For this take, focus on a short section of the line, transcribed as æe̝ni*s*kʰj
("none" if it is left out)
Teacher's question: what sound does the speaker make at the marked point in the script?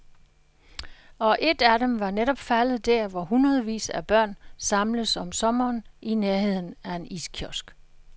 s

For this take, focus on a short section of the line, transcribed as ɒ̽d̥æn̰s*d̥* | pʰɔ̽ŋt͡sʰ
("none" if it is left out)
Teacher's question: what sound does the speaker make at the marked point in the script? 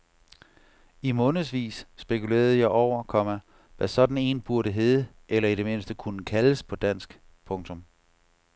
ɡ̥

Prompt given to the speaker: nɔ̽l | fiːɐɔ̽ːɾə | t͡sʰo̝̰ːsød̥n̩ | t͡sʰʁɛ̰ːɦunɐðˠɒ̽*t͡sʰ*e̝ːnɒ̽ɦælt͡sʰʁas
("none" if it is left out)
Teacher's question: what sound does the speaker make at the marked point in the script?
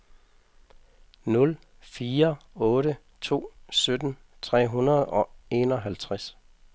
none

